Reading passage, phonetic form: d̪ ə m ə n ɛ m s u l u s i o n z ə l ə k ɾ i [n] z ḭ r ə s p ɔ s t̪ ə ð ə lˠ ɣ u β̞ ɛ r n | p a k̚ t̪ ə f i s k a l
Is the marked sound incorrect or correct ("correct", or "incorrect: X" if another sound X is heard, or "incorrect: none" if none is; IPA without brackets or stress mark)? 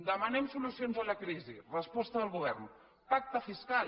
incorrect: none